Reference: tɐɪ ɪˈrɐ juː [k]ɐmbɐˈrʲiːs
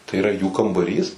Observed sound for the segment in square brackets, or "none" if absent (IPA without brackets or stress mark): k